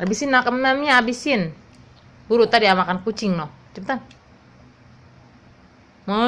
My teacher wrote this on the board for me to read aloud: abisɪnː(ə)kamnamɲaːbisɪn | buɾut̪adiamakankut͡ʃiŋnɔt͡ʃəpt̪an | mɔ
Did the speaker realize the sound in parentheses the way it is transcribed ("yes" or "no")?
no